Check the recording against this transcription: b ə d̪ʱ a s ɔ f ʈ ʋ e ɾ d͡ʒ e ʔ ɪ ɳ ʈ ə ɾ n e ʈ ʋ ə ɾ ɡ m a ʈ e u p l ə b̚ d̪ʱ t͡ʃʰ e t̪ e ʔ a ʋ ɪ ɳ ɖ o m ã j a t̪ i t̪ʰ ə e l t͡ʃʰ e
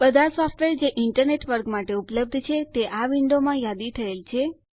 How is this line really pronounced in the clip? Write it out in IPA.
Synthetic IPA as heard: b ə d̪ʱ a s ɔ f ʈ ʋ e ɾ d͡ʒ e ʔ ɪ ɳ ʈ ə ɾ n e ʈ ʋ ə ɾ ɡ m a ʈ e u p l ə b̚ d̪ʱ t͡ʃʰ e t̪ e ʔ a ʋ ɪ ɳ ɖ o m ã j a d̪ i t̪ʰ ə e l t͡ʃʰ e